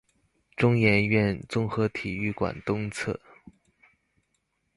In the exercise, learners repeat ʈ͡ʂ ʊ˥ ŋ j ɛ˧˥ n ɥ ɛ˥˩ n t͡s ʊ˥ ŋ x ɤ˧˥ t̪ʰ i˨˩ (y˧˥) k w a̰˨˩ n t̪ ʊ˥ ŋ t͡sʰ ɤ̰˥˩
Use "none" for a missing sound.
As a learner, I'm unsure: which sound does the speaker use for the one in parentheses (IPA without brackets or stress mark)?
y˥˩